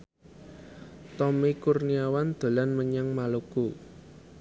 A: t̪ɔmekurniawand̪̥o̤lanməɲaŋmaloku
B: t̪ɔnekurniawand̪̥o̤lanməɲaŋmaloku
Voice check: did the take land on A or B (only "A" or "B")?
A